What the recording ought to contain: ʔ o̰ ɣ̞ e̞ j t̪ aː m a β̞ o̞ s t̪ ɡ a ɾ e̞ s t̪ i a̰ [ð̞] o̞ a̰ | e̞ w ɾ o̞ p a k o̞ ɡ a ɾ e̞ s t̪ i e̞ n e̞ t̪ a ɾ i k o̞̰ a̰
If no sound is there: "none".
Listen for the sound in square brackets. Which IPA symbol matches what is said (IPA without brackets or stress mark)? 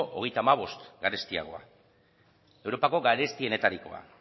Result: ɣ̞